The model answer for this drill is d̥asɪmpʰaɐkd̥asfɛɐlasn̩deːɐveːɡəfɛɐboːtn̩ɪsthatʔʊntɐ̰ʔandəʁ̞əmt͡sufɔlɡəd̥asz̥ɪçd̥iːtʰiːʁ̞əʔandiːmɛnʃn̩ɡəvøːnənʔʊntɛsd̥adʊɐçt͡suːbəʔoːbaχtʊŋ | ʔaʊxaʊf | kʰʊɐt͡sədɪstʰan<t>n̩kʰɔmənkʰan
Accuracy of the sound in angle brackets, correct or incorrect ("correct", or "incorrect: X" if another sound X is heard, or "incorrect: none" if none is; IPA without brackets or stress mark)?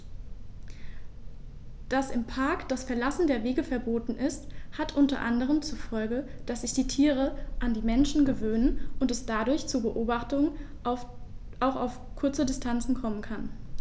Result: incorrect: t͡s